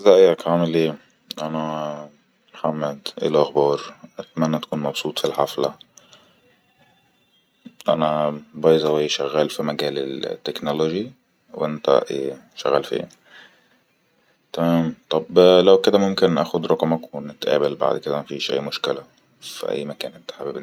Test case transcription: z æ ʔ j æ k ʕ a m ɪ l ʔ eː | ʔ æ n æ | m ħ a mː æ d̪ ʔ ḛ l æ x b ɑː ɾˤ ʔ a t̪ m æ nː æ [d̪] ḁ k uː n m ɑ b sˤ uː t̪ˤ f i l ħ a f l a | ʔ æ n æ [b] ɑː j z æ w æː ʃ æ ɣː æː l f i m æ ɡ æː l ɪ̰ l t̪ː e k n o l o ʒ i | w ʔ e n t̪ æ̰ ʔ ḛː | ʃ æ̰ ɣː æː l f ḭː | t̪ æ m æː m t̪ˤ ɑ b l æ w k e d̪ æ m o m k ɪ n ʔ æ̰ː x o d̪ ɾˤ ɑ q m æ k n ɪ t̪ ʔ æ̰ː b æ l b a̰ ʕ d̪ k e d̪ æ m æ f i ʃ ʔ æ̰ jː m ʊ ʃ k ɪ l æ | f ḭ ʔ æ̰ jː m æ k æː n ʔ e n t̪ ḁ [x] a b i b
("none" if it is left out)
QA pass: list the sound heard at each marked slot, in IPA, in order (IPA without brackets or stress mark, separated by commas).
t̪, b, ħ